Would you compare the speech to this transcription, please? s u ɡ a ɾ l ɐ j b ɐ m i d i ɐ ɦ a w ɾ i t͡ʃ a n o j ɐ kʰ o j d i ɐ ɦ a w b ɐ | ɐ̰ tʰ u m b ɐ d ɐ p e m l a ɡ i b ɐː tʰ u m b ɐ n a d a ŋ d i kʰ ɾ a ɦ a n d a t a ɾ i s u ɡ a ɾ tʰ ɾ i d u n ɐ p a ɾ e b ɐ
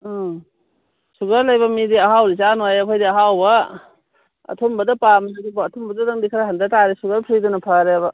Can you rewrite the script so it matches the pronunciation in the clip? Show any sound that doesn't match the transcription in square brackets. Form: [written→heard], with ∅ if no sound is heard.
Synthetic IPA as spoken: s u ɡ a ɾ l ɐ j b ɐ m i d i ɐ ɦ a w ɾ i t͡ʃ a n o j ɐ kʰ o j d i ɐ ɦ a w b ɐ | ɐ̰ tʰ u m b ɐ d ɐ p [e→a] m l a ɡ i b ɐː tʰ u m b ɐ [n→d] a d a ŋ d i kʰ ɾ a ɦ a n d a t a ɾ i s u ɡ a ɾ [tʰ→pʰ] ɾ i d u n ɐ [p→pʰ] a ɾ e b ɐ